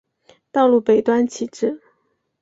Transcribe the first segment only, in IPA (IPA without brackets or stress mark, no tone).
t̪